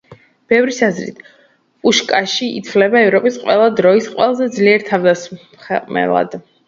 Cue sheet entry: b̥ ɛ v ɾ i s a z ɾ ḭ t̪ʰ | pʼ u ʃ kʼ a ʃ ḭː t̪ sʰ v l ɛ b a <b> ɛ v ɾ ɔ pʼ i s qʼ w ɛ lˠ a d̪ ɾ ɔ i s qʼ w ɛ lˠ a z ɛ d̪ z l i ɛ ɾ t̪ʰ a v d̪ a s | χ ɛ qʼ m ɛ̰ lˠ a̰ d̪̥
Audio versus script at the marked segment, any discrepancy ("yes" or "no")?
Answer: yes